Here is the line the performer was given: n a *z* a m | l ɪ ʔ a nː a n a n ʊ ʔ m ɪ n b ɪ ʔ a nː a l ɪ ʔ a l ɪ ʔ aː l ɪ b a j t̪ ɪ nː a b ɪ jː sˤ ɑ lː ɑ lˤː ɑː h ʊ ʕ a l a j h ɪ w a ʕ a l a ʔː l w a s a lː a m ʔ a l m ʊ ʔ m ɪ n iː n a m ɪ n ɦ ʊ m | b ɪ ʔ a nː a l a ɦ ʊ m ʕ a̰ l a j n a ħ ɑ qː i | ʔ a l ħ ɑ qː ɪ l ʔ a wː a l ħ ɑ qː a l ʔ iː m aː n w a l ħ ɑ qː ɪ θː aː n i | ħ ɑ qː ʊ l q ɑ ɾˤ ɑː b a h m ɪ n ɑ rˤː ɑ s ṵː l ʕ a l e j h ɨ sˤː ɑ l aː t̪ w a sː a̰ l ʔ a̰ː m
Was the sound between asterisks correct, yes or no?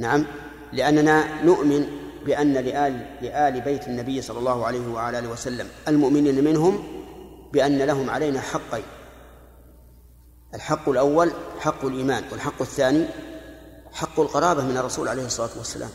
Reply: no